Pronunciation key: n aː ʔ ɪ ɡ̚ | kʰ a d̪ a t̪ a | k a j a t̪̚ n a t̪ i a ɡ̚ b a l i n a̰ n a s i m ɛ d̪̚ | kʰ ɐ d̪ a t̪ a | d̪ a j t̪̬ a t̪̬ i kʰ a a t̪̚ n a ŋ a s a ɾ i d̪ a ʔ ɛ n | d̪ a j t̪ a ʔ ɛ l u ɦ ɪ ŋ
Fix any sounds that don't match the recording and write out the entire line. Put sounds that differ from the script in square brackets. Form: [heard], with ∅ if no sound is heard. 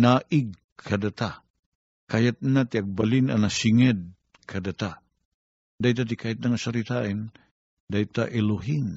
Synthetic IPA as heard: n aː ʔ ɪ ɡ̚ | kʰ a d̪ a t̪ a | k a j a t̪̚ n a t̪ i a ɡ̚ b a l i n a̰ n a s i [ŋ] ɛ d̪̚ | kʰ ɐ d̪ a t̪ a | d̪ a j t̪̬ a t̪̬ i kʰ a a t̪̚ n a ŋ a s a ɾ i [t̪] a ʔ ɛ n | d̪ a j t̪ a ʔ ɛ l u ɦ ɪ ŋ